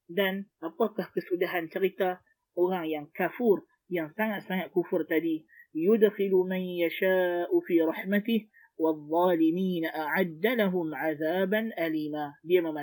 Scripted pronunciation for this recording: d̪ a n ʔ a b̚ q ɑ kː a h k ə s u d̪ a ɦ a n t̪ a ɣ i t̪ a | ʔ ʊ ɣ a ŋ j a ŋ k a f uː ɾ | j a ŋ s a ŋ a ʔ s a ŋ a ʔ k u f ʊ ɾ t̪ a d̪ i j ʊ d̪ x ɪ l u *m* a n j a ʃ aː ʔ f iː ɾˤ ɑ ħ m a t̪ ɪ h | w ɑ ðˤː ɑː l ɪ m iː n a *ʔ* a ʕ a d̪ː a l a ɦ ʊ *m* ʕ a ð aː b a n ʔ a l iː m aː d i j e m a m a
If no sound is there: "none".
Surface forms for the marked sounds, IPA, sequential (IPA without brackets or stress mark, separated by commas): m, ʔ, m